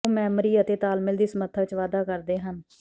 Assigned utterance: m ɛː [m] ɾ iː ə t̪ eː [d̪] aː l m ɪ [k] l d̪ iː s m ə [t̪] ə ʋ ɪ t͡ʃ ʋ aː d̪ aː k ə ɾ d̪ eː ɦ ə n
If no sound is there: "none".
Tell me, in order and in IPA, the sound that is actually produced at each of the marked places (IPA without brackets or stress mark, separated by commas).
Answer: m, t̪, none, t̪ʰ